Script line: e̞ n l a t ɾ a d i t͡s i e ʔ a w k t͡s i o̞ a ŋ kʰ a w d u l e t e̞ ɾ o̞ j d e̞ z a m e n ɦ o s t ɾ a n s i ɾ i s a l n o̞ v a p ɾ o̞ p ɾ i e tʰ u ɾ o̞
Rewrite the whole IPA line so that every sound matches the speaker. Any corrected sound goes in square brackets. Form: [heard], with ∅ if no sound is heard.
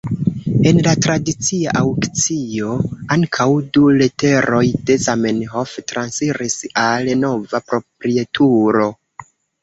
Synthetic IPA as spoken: e̞ n l a t ɾ a d i t͡s i [a] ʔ a w k t͡s i o̞ a ŋ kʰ a w d u l e t e̞ ɾ o̞ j d e̞ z a m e n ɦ o [f] t ɾ a n s i ɾ i s a l n o̞ v a p ɾ o̞ p ɾ i e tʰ u ɾ o̞